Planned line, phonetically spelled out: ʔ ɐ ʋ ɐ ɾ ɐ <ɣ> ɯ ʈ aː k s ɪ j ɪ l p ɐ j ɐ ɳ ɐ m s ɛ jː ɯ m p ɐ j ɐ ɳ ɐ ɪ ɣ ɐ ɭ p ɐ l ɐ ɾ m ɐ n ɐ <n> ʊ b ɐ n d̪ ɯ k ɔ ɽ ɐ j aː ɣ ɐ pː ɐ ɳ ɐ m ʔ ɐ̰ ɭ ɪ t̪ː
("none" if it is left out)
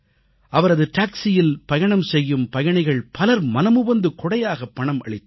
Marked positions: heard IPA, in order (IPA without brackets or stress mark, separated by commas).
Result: ð, m